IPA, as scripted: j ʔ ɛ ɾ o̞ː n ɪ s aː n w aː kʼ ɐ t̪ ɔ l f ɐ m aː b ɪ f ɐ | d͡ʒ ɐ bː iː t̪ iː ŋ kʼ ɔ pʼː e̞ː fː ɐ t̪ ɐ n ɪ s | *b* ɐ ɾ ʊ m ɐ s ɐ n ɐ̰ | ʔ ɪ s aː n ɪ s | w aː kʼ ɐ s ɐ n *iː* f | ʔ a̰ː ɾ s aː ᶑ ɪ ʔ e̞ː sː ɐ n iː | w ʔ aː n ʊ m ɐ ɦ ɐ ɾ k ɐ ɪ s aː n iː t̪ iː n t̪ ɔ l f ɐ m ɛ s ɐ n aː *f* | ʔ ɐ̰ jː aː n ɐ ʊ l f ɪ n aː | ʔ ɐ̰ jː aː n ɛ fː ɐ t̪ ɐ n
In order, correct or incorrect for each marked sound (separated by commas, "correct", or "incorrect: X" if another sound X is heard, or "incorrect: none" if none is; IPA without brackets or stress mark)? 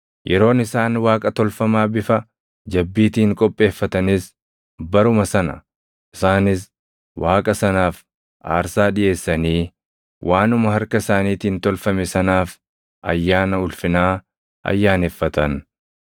correct, incorrect: aː, correct